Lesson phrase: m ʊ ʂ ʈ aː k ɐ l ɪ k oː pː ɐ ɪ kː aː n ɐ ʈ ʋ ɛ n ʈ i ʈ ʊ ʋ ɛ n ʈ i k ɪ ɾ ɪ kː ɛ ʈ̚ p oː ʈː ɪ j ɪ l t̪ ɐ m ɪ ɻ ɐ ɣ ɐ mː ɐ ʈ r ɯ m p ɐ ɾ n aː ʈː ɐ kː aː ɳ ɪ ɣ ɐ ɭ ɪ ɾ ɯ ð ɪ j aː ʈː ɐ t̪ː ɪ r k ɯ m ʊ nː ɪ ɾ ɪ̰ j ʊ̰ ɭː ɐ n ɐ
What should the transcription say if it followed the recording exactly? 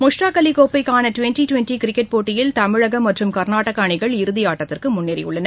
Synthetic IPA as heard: m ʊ ʂ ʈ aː k ɐ l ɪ k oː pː ɐ ɪ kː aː n ɐ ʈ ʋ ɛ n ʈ i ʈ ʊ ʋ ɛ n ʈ i k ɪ ɾ ɪ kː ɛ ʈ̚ p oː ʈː ɪ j ɪ l t̪ ɐ m ɪ ɻ ɐ ɣ ɐ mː ɐ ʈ r ɯ m k ɐ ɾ n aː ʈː ɐ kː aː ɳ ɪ ɣ ɐ ɭ ɪ ɾ ɯ ð ɪ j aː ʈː ɐ t̪ː ɪ r k ɯ m ʊ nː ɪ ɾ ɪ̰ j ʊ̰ ɭː ɐ n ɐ